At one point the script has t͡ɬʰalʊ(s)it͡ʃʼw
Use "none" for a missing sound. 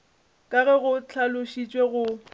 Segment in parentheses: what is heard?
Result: ʃ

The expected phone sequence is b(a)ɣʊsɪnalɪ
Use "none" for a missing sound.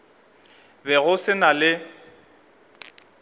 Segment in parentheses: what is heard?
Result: ɛ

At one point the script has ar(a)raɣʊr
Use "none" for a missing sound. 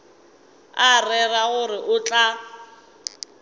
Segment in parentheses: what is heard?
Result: ɛ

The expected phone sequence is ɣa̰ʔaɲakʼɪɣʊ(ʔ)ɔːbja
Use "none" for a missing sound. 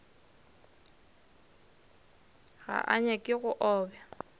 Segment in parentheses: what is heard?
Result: ʔ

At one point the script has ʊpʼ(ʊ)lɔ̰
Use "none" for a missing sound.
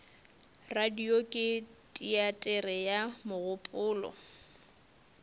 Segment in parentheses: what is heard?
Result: ʊː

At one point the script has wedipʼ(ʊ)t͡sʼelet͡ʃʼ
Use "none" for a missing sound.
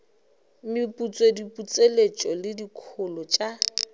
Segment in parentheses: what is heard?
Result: u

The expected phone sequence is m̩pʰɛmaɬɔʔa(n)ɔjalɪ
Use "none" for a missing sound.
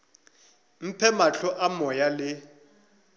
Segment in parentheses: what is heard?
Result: m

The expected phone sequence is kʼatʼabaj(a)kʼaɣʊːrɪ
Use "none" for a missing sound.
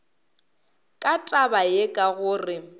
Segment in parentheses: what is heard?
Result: e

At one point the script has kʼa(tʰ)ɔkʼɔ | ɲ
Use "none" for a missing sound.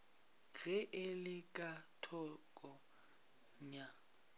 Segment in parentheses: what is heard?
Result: tʰ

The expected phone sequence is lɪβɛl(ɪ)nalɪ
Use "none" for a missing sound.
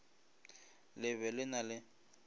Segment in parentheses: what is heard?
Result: ɪ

